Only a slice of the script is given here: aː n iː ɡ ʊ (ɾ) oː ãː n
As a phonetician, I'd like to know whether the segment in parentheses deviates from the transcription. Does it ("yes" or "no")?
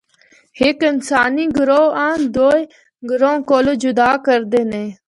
no